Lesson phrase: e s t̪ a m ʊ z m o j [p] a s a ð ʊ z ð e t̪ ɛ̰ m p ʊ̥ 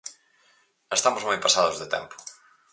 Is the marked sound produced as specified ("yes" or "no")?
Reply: yes